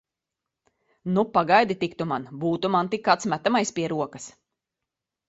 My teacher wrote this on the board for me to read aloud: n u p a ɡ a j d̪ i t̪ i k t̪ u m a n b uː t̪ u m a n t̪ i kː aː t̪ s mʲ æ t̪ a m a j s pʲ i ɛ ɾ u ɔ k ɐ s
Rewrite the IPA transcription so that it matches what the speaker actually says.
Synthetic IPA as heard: n u p a ɡ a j d̪ i t̪ i k t̪ u m a n b uː t̪ u m a n t̪ i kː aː t̪ s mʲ æ t̪ a m a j s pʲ i ɛ ɾ u ɔ k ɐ s